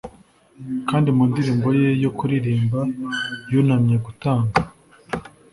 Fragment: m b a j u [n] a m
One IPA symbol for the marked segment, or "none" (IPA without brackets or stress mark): n